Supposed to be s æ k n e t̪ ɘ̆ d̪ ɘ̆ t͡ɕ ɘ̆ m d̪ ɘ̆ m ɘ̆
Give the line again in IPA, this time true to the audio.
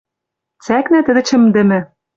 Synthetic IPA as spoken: t͡s æ k n æ t̪ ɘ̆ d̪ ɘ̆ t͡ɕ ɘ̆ m d̪ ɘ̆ m ɘ̆

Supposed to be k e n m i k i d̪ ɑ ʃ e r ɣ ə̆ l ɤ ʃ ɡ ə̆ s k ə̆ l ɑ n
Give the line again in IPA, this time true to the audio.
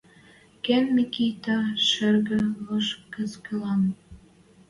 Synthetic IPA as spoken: k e n m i k i t̪ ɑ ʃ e r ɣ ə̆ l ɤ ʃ k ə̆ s k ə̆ l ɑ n

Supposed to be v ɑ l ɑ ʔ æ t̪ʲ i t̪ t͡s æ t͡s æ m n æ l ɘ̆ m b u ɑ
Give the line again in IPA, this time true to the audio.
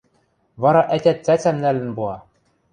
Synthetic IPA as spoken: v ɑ ɾ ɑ ʔ æ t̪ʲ æ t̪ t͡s æ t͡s æ m n æ l ɘ̆ n b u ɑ

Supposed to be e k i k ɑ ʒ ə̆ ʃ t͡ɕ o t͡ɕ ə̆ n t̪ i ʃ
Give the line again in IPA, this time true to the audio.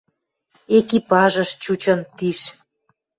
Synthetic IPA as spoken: e k i p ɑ ʒ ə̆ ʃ t͡ɕ u t͡ɕ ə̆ n t̪ i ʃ

